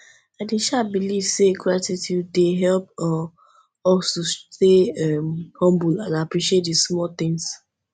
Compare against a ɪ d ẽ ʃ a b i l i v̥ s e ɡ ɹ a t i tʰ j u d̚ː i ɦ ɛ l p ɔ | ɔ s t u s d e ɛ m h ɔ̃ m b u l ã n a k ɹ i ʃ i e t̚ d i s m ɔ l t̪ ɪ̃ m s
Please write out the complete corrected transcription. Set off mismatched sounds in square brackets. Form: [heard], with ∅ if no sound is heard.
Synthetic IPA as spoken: a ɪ d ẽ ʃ a b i l i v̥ s e ɡ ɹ a t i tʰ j u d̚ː [e] ɦ ɛ l p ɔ | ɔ s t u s [t] e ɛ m h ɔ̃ m b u l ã n a [p] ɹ i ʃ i e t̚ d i s m ɔ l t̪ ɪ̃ [ŋ] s